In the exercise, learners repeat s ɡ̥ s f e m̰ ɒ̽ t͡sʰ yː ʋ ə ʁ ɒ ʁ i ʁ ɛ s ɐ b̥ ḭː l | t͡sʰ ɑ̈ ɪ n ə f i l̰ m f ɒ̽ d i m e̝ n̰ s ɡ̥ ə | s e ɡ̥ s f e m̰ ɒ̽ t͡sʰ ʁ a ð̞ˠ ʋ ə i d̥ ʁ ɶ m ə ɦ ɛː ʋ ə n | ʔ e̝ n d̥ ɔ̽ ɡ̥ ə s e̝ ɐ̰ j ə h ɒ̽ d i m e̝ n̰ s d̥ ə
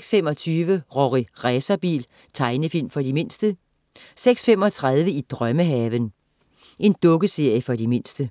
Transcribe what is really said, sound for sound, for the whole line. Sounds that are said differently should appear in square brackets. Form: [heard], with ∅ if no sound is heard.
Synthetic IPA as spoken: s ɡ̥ s f e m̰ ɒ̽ t͡sʰ yː ʋ ə ʁ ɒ ʁ i ʁ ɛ s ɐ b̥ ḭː l | t͡sʰ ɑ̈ ɪ n ə f i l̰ m f ɒ̽ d i m e̝ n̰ s [d̥] ə | s e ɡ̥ s f e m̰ ɒ̽ t͡sʰ ʁ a ð̞ˠ ʋ ə i d̥ ʁ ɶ m ə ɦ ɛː ʋ ə n | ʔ e̝ n d̥ ɔ̽ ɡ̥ ə s e̝ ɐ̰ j ə [f] ɒ̽ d i m e̝ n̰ s d̥ ə

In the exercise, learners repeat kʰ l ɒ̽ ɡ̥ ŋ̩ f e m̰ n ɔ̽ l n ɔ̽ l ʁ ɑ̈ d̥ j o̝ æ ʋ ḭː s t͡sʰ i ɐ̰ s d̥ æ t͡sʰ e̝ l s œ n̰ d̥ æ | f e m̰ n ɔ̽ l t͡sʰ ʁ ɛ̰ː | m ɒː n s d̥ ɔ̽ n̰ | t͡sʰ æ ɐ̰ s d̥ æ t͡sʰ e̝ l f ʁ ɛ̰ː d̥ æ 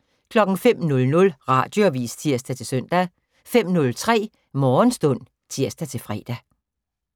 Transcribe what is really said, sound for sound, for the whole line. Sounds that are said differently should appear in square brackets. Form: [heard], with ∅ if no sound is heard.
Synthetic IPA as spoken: kʰ l ɒ̽ ɡ̥ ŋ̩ f e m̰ n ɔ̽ l n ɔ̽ l ʁ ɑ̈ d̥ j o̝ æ ʋ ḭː s t͡sʰ i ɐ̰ s d̥ æ t͡sʰ e̝ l s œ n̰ d̥ æ | f e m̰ n ɔ̽ l t͡sʰ ʁ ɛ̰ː | m ɒː n s d̥ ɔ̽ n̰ | t͡sʰ [i] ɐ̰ s d̥ æ t͡sʰ e̝ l f ʁ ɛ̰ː d̥ æ

